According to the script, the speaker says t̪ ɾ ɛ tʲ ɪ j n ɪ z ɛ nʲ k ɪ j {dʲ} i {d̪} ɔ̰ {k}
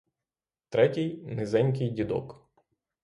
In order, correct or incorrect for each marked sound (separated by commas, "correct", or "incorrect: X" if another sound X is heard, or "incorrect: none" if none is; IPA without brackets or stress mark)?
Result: correct, correct, correct